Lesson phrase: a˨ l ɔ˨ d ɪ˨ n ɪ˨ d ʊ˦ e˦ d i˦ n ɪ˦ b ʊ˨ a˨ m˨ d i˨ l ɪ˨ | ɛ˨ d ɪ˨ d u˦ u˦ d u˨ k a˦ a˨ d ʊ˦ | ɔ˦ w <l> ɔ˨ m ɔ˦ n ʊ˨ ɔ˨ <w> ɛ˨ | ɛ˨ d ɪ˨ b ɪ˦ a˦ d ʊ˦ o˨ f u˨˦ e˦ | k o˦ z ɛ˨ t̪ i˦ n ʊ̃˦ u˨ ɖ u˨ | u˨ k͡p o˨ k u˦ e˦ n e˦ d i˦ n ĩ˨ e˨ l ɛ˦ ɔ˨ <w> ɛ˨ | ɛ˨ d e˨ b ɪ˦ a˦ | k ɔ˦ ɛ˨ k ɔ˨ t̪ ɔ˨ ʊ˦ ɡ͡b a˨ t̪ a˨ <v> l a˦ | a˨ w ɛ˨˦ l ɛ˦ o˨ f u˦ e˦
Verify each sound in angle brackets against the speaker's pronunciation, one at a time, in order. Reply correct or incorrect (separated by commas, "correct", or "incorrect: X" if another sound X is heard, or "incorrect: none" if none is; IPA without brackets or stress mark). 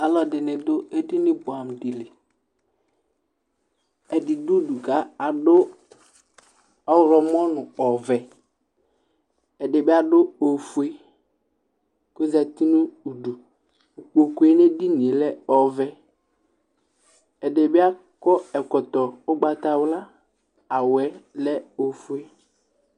incorrect: ɾ, incorrect: v, incorrect: v, incorrect: w